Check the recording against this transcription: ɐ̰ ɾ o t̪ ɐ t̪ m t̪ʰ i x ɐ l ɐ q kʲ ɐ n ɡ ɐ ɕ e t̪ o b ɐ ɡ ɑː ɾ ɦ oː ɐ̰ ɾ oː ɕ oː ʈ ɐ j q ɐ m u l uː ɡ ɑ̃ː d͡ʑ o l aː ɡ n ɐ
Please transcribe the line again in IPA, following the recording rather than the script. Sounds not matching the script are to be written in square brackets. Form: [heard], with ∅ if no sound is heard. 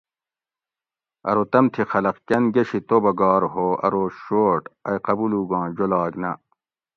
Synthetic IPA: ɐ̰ ɾ o t̪ ɐ [∅] m t̪ʰ i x ɐ l ɐ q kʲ ɐ n ɡ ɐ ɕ [i] t̪ o b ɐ ɡ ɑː ɾ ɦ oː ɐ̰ ɾ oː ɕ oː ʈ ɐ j q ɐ [b] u l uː ɡ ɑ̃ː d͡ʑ o l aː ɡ n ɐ